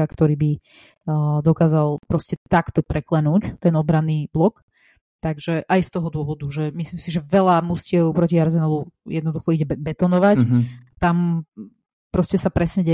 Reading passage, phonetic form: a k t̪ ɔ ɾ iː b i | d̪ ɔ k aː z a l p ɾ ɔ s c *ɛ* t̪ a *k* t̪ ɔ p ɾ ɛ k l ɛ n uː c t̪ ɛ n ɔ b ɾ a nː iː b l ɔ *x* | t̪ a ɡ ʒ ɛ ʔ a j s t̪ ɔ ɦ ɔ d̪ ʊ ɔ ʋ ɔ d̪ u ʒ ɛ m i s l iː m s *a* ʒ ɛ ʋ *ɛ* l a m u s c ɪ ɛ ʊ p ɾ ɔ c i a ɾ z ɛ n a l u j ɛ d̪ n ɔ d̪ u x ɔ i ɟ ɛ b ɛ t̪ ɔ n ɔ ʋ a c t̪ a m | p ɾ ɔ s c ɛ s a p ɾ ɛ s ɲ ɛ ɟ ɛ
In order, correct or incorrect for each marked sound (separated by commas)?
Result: correct, correct, incorrect, incorrect, correct